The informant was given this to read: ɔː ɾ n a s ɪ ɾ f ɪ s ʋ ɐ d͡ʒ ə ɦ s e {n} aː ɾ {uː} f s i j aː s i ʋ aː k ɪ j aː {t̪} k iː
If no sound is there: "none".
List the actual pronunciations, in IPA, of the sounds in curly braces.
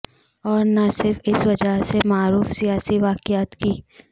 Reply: m, uː, t̪

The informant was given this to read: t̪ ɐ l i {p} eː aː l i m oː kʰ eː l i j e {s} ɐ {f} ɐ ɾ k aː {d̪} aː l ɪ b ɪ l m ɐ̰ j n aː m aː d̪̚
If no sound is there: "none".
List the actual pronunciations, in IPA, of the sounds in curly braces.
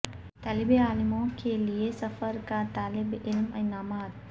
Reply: b, s, f, t̪

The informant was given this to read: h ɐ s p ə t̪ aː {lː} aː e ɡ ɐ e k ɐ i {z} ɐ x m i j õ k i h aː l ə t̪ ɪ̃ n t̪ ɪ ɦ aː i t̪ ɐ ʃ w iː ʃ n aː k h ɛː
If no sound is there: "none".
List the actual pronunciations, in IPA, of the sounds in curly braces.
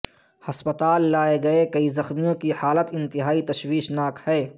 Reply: lː, z

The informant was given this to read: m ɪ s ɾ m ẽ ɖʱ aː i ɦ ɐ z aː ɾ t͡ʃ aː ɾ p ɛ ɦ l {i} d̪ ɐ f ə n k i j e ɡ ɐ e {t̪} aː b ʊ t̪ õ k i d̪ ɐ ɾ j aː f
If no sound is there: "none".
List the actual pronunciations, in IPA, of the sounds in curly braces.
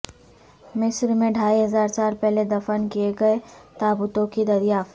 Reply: e, t̪

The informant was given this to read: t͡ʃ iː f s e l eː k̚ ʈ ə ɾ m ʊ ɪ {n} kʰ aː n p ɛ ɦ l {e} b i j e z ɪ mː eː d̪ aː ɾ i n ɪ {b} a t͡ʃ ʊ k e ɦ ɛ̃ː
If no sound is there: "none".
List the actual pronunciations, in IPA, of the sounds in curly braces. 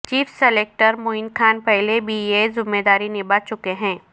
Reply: n, e, b

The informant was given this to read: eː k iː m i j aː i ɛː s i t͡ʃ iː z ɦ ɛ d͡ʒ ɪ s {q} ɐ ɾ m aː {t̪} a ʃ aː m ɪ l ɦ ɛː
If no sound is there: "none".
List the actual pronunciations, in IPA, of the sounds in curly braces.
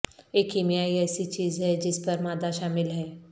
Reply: p, d̪

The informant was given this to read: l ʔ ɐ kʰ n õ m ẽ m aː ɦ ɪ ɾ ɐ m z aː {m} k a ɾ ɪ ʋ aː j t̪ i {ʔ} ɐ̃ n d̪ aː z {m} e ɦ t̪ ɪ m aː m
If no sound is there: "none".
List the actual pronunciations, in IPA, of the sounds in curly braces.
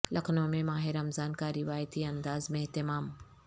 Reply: n, none, m

